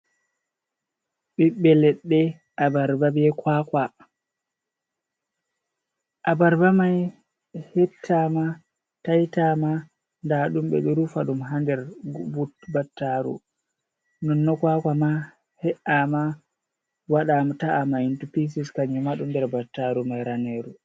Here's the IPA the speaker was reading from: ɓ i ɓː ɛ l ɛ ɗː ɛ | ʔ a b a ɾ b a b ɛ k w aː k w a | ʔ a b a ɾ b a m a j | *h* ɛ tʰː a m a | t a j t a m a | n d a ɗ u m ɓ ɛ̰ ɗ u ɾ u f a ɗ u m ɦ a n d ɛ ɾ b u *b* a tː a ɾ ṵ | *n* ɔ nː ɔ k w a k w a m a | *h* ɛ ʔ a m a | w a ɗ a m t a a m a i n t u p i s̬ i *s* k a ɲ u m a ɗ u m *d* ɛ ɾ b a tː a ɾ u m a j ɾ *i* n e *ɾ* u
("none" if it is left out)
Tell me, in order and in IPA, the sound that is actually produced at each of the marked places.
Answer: h, b, n, h, s, d, a, ɾ

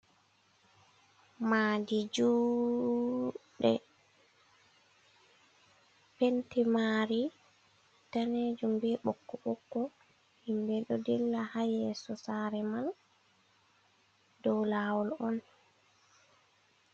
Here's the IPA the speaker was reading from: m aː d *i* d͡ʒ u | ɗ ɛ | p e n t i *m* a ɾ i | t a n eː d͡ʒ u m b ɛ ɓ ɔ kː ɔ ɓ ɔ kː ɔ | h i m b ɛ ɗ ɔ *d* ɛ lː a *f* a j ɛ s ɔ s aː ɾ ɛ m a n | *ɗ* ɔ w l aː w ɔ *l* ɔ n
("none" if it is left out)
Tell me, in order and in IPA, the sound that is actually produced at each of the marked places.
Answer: i, m, d, h, d, l

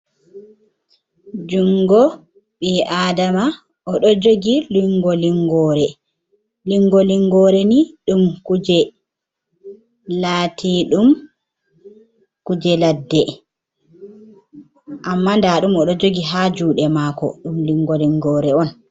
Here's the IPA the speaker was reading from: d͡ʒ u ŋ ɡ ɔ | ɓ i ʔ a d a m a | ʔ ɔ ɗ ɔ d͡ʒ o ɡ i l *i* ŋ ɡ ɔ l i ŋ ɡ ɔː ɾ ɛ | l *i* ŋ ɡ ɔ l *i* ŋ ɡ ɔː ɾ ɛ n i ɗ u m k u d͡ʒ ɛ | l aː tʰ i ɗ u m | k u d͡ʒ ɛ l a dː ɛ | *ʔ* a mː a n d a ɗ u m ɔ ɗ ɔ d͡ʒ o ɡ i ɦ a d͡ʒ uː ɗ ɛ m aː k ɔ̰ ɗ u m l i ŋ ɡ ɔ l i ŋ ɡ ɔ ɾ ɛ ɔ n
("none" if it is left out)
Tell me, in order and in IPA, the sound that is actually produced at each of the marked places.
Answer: i, i, i, ʔ

